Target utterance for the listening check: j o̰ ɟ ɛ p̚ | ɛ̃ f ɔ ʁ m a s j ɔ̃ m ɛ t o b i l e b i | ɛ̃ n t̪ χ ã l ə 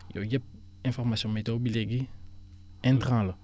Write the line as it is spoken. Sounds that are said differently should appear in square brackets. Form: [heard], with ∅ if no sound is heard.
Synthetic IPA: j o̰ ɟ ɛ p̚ | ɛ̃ f ɔ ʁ m a s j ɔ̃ m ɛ t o b i l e [ɡ] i | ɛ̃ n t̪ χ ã l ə